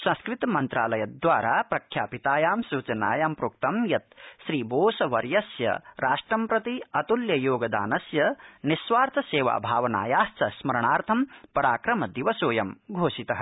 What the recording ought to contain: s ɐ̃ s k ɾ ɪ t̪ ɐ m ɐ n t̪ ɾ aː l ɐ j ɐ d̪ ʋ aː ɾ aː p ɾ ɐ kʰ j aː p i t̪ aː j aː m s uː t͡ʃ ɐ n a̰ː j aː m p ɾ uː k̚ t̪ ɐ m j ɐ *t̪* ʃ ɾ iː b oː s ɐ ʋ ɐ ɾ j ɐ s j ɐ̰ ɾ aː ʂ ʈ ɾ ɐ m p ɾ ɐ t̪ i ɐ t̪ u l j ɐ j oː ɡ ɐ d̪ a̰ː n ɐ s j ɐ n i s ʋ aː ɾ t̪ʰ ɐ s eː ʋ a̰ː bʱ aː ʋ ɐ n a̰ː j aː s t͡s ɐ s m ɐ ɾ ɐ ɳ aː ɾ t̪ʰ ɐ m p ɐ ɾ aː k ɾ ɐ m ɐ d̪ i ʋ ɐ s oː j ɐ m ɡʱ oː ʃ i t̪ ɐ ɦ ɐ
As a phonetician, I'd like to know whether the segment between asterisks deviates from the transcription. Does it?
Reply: no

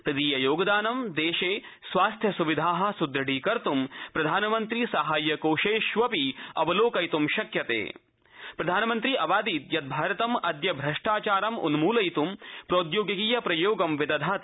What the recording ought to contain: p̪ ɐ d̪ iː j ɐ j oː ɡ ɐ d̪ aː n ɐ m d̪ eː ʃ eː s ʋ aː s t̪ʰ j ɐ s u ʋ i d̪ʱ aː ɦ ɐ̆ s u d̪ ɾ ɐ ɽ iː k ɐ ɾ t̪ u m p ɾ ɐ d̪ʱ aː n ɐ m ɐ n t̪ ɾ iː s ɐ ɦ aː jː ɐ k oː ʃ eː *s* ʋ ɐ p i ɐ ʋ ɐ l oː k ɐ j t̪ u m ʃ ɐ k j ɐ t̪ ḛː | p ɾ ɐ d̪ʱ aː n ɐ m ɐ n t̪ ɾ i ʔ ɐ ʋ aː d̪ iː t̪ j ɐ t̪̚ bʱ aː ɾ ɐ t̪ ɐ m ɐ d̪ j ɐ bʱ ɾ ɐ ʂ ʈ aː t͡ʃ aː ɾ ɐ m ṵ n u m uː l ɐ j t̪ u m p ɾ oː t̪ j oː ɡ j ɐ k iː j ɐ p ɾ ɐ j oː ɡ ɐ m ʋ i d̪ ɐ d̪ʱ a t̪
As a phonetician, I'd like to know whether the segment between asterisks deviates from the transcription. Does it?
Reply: yes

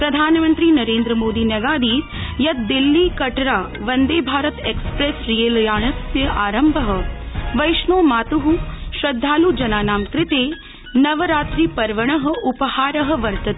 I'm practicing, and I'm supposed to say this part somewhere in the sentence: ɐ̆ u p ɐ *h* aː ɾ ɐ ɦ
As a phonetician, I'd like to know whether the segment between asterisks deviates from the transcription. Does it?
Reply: no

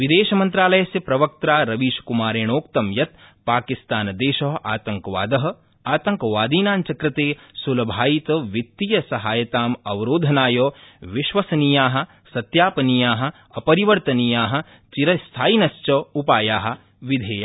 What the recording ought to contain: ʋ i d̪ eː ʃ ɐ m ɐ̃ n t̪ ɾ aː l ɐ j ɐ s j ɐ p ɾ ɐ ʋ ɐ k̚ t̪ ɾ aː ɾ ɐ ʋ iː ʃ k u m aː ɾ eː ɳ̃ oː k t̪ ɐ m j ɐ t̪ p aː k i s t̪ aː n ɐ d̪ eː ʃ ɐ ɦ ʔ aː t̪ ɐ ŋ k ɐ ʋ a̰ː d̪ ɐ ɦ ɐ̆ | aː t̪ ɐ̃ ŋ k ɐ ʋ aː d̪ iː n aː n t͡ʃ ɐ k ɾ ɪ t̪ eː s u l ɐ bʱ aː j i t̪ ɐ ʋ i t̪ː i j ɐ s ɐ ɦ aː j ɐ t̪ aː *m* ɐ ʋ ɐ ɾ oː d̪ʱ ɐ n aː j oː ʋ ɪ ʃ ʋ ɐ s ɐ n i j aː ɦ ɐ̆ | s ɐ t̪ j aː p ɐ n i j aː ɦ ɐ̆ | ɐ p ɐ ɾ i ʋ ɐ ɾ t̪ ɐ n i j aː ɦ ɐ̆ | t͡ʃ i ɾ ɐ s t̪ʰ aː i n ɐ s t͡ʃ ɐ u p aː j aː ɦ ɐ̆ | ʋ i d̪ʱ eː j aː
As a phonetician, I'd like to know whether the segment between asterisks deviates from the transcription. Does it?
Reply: no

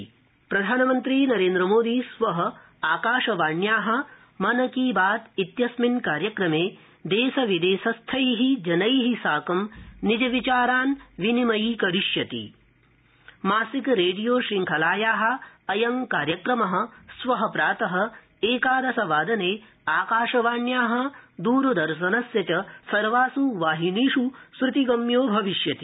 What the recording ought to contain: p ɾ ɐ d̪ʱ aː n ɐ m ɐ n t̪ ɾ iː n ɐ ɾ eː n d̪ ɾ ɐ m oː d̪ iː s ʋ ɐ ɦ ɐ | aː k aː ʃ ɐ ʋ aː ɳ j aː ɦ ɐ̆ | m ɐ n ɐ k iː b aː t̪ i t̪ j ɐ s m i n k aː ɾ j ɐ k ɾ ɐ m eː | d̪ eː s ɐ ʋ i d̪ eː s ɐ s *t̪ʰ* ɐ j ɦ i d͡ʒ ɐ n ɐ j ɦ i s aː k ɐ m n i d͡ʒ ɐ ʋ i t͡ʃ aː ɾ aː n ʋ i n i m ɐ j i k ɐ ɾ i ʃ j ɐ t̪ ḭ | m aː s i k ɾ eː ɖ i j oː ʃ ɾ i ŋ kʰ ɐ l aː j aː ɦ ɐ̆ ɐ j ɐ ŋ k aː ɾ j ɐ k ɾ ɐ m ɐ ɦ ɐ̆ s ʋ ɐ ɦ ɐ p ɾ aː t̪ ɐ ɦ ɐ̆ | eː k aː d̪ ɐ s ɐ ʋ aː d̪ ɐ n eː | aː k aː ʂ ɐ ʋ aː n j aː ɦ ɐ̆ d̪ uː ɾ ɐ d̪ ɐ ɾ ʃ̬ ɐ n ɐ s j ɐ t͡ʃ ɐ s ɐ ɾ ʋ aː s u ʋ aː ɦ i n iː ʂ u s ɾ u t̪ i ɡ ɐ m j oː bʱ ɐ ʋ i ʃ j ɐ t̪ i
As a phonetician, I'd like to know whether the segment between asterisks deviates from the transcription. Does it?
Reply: no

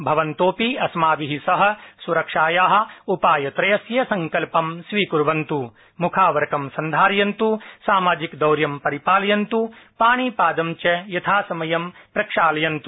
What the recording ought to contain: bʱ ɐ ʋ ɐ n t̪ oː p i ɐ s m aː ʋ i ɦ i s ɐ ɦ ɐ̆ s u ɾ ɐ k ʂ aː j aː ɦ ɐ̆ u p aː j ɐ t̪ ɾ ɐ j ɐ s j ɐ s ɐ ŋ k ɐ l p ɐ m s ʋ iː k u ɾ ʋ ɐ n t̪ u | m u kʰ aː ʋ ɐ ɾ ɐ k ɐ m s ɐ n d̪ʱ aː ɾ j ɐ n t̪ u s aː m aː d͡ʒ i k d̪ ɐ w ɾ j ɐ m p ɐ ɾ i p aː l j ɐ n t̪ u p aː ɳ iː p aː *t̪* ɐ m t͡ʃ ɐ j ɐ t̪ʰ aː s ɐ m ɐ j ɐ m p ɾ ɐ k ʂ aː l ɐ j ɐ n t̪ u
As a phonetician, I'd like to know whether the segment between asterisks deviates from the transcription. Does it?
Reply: yes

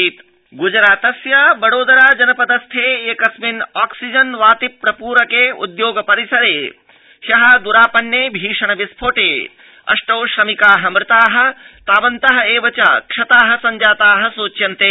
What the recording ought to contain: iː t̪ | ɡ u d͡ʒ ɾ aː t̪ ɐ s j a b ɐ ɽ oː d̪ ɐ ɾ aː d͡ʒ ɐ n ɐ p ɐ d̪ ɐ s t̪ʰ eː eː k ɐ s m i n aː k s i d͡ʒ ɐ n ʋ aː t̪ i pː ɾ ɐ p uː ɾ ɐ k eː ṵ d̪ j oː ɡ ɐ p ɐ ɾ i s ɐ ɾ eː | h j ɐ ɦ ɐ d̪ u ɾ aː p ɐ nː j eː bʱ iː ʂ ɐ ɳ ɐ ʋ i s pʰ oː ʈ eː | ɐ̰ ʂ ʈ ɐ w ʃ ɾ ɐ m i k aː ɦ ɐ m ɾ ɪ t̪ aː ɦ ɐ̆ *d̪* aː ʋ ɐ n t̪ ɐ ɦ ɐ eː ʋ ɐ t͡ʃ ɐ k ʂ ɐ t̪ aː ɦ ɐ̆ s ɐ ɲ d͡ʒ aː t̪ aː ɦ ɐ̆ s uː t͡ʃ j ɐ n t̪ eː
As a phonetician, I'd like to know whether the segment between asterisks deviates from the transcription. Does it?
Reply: yes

